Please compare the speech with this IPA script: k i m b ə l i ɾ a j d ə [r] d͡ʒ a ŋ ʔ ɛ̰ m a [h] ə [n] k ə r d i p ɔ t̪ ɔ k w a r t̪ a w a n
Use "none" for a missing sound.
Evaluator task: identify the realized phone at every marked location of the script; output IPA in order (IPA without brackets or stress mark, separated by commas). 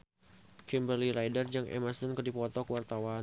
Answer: r, s, n